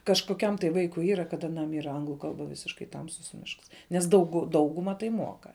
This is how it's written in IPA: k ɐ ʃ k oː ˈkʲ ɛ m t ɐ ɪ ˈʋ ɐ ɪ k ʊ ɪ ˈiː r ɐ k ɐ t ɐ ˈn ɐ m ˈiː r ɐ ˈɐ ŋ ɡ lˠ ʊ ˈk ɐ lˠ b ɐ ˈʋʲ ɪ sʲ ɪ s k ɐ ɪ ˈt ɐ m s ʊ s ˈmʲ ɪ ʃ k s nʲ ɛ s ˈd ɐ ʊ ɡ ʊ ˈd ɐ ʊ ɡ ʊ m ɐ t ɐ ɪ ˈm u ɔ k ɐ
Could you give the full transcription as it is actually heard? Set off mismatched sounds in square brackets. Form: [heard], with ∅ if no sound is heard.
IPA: k ɐ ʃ k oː ˈkʲ ɛ m t ɐ ɪ ˈʋ ɐ ɪ k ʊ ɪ ˈiː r ɐ k ɐ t ɐ ˈn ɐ m ˈiː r ɐ ˈɐ ŋ ɡ lˠ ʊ ˈk ɐ lˠ b ɐ ˈʋʲ ɪ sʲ ɪ [ʃ] k ɐ ɪ ˈt ɐ m s ʊ s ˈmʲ ɪ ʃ k s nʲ ɛ s ˈd ɐ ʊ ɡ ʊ ˈd ɐ ʊ ɡ ʊ m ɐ t ɐ ɪ ˈm u ɔ k ɐ